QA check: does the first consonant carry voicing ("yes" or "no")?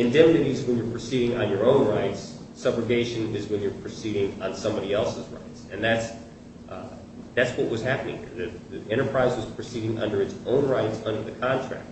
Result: yes